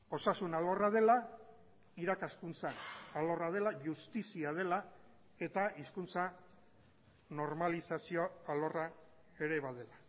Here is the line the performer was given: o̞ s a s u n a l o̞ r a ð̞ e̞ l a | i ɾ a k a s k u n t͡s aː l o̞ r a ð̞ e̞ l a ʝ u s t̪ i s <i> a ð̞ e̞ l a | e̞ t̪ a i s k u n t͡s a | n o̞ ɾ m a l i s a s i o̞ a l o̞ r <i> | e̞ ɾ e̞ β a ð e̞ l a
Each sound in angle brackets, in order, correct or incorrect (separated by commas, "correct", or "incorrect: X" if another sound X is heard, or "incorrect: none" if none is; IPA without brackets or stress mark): correct, incorrect: a